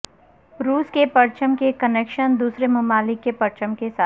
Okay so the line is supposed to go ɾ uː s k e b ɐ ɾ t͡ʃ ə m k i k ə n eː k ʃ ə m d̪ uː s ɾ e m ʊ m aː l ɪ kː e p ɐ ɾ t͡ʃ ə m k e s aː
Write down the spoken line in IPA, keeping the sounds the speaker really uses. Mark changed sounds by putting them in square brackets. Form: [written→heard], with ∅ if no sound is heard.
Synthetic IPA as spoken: ɾ uː s k e [b→p] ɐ ɾ t͡ʃ ə m k [i→e] k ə n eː k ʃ ə [m→n] d̪ uː s ɾ e m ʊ m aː l ɪ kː e p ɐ ɾ t͡ʃ ə m k e s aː

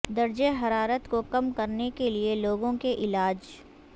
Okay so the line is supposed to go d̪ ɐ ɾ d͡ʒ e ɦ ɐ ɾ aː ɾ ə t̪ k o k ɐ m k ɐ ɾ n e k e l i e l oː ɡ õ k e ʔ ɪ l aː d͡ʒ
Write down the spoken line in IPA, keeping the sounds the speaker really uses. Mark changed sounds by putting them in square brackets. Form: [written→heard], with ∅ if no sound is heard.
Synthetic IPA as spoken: d̪ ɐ ɾ d͡ʒ e ɦ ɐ ɾ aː ɾ ə t̪ k o k ɐ m k ɐ ɾ n e k e l i e l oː ɡ õ k e ʔ ɪ l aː d͡ʒ

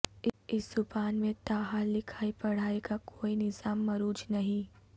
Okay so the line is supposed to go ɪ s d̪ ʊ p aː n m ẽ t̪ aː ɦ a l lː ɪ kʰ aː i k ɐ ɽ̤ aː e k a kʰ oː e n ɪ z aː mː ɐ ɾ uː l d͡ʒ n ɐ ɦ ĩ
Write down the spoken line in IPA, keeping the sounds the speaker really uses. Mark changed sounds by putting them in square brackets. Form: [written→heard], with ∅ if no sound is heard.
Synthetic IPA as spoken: ɪ s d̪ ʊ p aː n m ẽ t̪ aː ɦ a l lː ɪ kʰ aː i [k→p] ɐ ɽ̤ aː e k a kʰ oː [e→i] n ɪ z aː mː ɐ ɾ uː [l→∅] d͡ʒ n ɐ ɦ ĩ

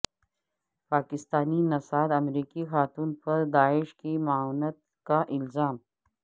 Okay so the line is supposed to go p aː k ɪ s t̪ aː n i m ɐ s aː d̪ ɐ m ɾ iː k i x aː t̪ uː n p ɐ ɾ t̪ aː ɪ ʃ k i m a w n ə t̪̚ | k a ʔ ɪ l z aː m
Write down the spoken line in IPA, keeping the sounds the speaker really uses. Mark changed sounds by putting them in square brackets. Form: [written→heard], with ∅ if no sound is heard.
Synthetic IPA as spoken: p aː k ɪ s t̪ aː n i [m→n] ɐ s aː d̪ ɐ m ɾ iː k i x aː t̪ uː n p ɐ ɾ [t̪→d̪] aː ɪ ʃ k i m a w n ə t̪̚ | k a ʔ ɪ l z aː m

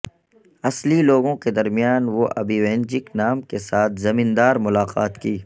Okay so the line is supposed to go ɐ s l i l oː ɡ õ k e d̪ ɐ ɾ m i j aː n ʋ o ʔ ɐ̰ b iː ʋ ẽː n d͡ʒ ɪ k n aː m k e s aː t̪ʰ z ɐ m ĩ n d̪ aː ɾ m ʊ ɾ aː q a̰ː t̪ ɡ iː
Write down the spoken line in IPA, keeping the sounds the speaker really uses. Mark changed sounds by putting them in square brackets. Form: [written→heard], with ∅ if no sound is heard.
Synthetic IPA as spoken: ɐ s l i l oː ɡ õ k e d̪ ɐ ɾ m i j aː n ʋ o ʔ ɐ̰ b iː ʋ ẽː n d͡ʒ ɪ k n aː m k e s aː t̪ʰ z ɐ m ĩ n d̪ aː ɾ m ʊ [ɾ→l] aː q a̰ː t̪ [ɡ→k] iː

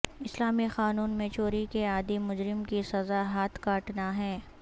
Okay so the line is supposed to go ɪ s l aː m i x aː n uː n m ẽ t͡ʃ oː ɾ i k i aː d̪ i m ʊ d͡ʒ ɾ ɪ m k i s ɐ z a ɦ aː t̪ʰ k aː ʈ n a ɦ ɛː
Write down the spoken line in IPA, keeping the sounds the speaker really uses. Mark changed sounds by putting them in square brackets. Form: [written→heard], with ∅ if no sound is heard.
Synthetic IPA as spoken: ɪ s l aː m i x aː n uː n m ẽ t͡ʃ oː ɾ i k [i→e] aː d̪ i m ʊ d͡ʒ ɾ ɪ m k i s ɐ z a ɦ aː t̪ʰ k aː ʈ n a ɦ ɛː

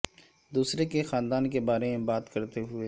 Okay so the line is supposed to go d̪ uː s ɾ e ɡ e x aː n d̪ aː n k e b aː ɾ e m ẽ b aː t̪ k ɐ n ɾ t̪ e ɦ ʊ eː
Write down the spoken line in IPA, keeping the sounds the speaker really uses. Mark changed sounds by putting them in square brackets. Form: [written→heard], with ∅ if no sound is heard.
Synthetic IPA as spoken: d̪ uː s ɾ e [ɡ→k] e x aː n d̪ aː n k e b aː ɾ e m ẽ b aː t̪ k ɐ [n→∅] ɾ t̪ e ɦ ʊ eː

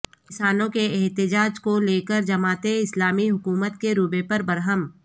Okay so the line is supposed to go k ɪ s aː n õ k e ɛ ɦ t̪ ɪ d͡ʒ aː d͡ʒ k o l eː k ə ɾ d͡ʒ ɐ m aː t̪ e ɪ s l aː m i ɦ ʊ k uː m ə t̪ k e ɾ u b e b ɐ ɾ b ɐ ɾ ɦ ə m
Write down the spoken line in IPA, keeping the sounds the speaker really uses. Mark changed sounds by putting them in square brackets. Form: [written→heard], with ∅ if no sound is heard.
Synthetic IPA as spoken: k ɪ s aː n õ k e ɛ ɦ t̪ ɪ d͡ʒ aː d͡ʒ k o l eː k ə ɾ d͡ʒ ɐ m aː t̪ e ɪ s l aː m i ɦ ʊ k uː m ə t̪ k e ɾ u b e [b→p] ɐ ɾ b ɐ ɾ ɦ ə m

